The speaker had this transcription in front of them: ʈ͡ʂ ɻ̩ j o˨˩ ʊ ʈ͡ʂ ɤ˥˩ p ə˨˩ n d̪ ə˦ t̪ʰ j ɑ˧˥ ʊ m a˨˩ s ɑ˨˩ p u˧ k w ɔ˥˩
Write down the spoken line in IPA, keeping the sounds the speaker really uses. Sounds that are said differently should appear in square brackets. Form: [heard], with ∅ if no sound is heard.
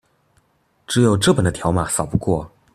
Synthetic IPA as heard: ʈ͡ʂ ɻ̩ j o˨˩ ʊ ʈ͡ʂ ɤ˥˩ p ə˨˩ n d̪ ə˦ t̪ʰ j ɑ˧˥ ʊ m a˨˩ s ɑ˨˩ p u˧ k w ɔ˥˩